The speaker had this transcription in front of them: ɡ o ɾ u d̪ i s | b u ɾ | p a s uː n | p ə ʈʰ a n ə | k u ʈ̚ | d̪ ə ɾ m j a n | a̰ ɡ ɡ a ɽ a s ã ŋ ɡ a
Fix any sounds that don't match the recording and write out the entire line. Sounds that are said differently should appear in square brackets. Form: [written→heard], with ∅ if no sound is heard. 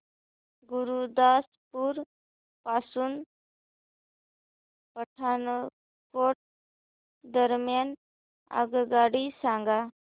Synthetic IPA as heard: ɡ [o→u] ɾ u d̪ [i→a] s | [b→p] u ɾ | p a s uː n | p ə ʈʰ a n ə | k [u→o] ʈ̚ | d̪ ə ɾ m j a n | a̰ ɡ ɡ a ɽ [a→i] s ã ŋ ɡ a